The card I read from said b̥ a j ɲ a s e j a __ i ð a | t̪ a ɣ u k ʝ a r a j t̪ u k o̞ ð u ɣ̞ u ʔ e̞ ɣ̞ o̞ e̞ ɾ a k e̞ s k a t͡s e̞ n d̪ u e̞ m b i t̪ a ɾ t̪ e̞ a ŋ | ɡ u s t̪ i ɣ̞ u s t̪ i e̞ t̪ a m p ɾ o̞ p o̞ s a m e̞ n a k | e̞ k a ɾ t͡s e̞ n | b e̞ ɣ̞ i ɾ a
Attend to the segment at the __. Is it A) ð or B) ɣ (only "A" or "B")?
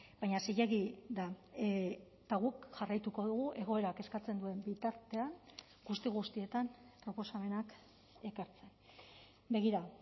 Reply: B